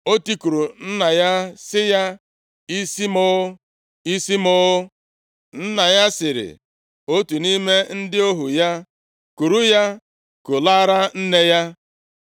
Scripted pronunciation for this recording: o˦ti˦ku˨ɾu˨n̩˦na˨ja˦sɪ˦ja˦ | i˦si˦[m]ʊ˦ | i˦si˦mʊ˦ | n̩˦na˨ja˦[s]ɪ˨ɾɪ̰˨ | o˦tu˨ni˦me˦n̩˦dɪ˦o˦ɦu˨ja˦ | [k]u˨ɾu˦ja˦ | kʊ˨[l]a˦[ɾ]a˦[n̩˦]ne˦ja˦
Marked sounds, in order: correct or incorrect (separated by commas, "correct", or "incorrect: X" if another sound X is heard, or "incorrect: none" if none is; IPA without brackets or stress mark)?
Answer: correct, correct, correct, correct, correct, correct